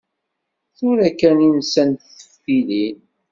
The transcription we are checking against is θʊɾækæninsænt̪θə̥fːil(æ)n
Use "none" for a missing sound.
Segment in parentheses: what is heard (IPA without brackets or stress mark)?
i